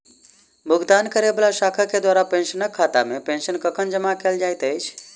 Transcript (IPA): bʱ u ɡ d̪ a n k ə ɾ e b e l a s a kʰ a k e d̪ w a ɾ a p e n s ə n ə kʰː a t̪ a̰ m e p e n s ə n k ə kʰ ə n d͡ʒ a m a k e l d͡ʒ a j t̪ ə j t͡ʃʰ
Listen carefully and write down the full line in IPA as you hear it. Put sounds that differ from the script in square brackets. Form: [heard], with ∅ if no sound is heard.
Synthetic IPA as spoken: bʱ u ɡ d̪ a n k ə ɾ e b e l a s a kʰ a k e d̪ w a ɾ a p e n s ə n ə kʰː a t̪ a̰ m e p e n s ə n k ə kʰ ə n d͡ʒ [ə] m a k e l d͡ʒ a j t̪ ə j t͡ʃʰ

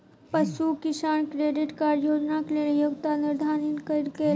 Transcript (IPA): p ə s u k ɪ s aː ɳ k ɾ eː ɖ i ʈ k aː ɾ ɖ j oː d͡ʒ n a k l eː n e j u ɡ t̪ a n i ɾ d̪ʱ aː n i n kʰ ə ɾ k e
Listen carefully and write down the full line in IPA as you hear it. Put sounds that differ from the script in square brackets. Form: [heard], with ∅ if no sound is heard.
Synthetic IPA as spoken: p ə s u k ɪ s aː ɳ k ɾ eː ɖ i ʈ k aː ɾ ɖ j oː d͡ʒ n a k l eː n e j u ɡ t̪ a n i ɾ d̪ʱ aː n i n [k] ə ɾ k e

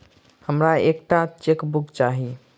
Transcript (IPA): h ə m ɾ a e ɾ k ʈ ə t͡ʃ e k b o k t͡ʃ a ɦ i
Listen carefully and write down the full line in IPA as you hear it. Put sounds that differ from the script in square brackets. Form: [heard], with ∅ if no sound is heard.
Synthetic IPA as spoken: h ə m ɾ a e [∅] k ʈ [a] t͡ʃ e k b [u] k t͡ʃ a ɦ i

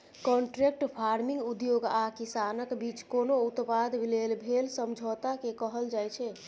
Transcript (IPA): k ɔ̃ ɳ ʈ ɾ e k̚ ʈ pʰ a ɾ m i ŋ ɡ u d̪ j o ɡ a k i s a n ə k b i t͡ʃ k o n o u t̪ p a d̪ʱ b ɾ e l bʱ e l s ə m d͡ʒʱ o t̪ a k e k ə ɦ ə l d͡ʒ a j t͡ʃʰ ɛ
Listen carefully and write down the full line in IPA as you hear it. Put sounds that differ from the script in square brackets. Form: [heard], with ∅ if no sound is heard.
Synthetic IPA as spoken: k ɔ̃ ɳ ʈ ɾ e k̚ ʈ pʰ a ɾ m i ŋ ɡ u d̪ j o ɡ a k i s a n ə k b i t͡ʃ k o n o u t̪ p a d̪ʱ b [l] e l bʱ e l s ə m d͡ʒʱ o t̪ a k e k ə ɦ ə l d͡ʒ a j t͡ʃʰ ɛ

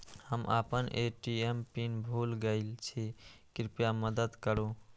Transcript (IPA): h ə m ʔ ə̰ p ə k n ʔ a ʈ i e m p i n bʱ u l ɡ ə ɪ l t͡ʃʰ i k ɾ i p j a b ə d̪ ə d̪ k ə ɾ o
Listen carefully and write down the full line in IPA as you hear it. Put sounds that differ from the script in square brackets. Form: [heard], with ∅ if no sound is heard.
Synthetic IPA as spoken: h ə m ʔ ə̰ p ə [∅] n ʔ [e] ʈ i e m p i n bʱ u l ɡ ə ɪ l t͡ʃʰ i k ɾ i p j a [m] ə d̪ ə d̪ k ə ɾ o

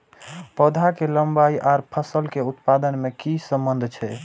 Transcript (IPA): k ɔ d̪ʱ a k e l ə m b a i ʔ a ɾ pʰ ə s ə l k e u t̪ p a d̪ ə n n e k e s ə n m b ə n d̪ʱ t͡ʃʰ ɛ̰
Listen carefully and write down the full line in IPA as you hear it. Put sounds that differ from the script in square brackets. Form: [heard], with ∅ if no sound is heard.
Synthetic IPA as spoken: [p] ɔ d̪ʱ a k e l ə m b a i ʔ a ɾ pʰ ə s ə l k e u t̪ p a d̪ ə n [m] e k [i] s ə [∅] m b ə n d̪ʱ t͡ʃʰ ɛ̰

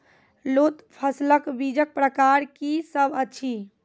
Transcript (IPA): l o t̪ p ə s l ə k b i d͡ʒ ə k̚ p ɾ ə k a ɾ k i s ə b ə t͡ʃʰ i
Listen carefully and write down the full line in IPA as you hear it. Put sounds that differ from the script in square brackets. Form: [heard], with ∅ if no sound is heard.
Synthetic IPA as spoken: l o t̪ [pʰ] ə s l ə k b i d͡ʒ ə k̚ p ɾ ə k a ɾ k i s ə b ə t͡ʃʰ i

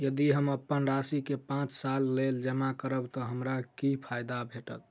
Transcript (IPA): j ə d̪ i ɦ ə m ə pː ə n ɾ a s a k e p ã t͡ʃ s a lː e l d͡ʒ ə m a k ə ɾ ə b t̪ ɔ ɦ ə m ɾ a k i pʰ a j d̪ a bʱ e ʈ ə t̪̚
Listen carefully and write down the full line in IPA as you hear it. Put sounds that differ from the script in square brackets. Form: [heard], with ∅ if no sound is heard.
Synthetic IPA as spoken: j ə d̪ i ɦ ə m ə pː ə n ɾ a s [i] k e p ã t͡ʃ s a lː e l d͡ʒ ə m a k ə ɾ ə b t̪ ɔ ɦ ə m ɾ a k i pʰ a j d̪ a bʱ e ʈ ə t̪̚

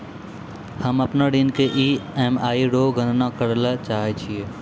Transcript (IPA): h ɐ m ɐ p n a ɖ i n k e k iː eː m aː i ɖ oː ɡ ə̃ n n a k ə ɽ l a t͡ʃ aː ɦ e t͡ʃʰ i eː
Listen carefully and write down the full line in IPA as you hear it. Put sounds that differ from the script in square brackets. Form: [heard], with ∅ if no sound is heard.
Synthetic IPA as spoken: h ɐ m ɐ p n a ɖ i n k e [ʔ] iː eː m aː i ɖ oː ɡ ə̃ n n a k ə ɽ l a t͡ʃ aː ɦ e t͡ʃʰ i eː

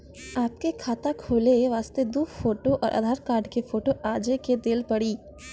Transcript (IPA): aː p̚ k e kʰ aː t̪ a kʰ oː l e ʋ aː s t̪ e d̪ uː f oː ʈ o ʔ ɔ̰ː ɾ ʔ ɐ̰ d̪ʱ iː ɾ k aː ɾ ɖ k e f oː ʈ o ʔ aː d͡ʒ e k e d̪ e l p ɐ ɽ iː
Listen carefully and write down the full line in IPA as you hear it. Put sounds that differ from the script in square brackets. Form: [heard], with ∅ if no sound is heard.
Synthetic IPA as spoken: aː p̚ k e kʰ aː t̪ a kʰ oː l e ʋ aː s t̪ e d̪ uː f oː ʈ o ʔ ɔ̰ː ɾ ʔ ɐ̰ d̪ʱ [aː] ɾ k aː ɾ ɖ k e f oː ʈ o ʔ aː d͡ʒ e k e d̪ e l p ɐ ɽ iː

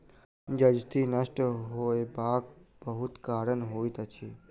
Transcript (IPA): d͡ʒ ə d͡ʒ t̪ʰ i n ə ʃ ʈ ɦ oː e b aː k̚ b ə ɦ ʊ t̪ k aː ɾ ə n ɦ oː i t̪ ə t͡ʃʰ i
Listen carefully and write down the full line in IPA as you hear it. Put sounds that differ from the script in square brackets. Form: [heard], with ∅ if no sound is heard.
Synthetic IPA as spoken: d͡ʒ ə d͡ʒ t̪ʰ i n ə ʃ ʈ ɦ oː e b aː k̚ b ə ɦ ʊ t̪ k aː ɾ ə n ɦ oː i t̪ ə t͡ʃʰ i

